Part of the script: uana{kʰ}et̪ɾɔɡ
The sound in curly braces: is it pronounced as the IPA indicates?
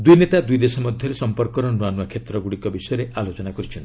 yes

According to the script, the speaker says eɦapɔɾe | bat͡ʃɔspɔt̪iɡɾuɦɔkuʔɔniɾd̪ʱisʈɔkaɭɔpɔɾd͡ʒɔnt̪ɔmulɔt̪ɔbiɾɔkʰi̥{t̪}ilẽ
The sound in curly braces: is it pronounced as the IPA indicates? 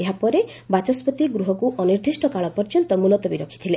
no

